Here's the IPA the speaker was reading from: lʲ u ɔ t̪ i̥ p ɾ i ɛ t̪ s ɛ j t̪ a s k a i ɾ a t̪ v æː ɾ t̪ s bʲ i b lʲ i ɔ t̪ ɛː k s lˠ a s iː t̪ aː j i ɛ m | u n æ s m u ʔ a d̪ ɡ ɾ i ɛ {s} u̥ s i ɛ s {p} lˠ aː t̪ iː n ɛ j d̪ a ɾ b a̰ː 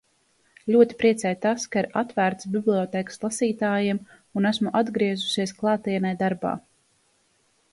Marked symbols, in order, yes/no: no, no

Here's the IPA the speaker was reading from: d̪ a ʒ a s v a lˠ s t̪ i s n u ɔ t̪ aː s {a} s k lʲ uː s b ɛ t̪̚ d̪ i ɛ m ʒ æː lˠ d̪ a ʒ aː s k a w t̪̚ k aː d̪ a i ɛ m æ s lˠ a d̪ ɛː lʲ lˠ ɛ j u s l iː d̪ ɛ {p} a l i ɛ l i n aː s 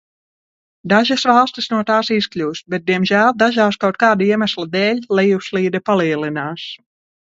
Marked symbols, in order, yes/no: no, yes

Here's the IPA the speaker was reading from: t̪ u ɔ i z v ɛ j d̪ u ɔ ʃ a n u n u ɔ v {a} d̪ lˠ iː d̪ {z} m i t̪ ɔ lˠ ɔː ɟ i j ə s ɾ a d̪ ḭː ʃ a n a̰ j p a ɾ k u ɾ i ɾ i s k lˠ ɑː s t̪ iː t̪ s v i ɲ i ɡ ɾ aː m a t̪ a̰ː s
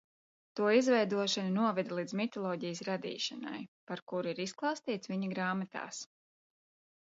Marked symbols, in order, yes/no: no, yes

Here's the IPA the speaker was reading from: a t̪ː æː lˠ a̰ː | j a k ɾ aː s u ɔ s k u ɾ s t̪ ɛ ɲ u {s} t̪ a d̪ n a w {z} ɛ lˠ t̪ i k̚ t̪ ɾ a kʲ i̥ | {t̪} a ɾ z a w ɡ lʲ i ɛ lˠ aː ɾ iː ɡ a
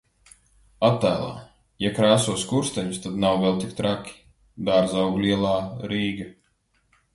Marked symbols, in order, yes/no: yes, no, no

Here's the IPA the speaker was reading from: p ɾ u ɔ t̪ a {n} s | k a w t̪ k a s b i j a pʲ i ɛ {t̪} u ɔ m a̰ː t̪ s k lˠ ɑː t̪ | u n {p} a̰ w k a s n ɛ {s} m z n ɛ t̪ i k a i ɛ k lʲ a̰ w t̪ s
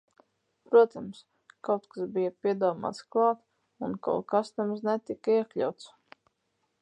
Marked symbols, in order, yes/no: no, no, no, no

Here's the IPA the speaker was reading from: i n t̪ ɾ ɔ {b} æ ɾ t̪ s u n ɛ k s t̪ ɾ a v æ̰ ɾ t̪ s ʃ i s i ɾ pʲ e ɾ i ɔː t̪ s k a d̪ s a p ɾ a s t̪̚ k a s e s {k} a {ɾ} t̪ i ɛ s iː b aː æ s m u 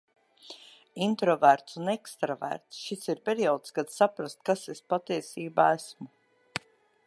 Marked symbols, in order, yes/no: no, no, no

